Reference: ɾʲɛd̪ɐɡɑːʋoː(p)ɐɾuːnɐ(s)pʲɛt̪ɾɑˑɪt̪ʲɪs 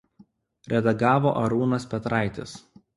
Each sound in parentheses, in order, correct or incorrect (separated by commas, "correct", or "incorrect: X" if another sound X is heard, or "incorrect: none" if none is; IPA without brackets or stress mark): incorrect: ʔ, correct